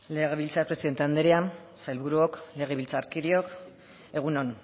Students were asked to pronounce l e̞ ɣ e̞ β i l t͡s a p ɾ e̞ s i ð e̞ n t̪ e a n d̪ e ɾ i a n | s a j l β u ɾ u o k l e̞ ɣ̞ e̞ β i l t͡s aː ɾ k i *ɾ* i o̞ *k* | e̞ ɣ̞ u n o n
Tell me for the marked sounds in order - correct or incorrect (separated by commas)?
correct, correct